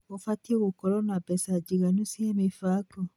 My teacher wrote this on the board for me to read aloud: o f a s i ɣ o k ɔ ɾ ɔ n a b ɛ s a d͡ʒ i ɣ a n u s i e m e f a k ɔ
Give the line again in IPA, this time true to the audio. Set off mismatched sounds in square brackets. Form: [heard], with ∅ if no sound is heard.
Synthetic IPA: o f a [t] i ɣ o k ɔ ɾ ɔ n a b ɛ s a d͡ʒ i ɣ a n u s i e m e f a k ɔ